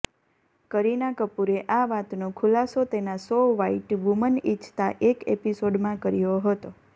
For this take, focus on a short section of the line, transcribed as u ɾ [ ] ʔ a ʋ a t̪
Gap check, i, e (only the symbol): e